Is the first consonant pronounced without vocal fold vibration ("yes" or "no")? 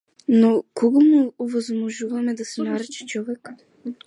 no